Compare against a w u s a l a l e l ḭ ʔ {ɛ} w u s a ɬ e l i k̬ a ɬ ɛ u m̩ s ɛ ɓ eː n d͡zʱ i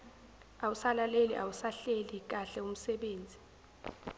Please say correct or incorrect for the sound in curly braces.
incorrect